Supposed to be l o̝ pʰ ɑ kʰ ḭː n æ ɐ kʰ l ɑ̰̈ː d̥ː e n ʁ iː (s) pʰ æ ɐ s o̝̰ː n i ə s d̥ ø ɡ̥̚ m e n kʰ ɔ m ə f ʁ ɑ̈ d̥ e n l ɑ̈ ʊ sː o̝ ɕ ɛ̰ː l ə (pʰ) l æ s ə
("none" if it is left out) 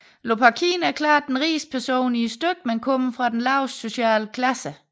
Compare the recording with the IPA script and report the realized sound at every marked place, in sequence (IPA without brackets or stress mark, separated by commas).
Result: s, kʰ